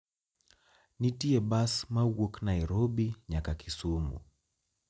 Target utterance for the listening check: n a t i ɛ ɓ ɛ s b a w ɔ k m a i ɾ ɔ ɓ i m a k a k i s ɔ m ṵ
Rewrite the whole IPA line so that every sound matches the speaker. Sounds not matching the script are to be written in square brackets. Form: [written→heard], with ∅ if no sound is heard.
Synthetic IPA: n [a→i] t i ɛ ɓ [ɛ→a] s [b→m] a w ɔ k [m→n] a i ɾ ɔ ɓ i [m→ɲ] a k a k i s [ɔ→u] m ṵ